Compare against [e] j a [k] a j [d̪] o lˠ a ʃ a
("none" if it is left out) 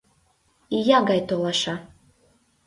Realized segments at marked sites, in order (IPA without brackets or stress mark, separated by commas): i, ɡ, t̪